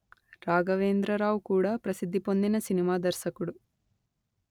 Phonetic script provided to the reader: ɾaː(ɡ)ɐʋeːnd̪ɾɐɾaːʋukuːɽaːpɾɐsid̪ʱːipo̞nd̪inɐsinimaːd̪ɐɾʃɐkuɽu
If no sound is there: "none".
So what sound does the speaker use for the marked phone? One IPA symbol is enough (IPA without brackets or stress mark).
ɡ